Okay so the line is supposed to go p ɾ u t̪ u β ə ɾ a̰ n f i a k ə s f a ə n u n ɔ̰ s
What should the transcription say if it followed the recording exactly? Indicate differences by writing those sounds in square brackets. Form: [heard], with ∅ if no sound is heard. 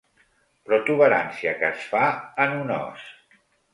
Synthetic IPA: p ɾ [ɔ] t̪ u β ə ɾ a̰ n [s] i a k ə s f a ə n u n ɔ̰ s